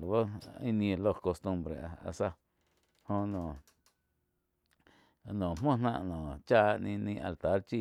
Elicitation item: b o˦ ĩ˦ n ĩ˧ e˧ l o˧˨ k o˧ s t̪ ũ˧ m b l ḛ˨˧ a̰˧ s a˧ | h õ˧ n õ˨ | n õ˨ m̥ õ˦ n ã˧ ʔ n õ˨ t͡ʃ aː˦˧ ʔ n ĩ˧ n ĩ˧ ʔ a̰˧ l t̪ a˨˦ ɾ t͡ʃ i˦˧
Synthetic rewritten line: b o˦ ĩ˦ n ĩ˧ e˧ l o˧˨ k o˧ s t̪ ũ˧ m b ɾ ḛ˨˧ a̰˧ s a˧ | h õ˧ n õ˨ | n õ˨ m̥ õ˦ n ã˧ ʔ n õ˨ t͡ʃ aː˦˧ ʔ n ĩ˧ n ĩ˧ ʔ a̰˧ l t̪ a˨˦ ɾ t͡ʃ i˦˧